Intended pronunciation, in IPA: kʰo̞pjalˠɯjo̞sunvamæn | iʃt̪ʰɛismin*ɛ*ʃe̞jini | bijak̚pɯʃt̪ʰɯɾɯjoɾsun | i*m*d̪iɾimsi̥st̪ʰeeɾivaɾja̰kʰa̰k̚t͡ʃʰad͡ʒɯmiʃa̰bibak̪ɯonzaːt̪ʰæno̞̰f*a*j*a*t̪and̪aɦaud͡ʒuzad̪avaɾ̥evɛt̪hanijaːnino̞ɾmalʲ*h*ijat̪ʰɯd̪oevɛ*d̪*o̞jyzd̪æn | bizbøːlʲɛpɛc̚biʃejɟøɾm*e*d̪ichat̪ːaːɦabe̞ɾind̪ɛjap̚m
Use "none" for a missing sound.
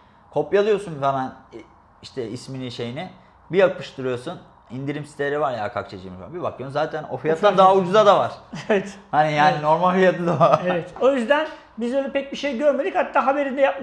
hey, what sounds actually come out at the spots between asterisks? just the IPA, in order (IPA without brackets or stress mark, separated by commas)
i, n, i, a, f, t̪, e